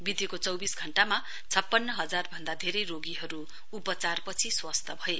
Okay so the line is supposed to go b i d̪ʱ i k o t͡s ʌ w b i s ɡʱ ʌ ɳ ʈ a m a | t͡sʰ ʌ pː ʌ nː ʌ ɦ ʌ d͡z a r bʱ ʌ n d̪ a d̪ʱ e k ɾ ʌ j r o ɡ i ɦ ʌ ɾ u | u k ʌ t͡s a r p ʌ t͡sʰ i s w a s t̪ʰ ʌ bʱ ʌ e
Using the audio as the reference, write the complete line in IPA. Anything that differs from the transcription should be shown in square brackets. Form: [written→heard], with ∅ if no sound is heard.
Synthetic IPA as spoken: b i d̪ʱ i k o t͡s ʌ w b i s ɡʱ ʌ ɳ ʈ a m a | t͡sʰ ʌ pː ʌ nː ʌ ɦ ʌ d͡z a r bʱ ʌ n d̪ a d̪ʱ e [k→∅] ɾ ʌ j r o ɡ i ɦ ʌ ɾ u | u [k→p] ʌ t͡s a r p ʌ t͡sʰ i s w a s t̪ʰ ʌ bʱ ʌ e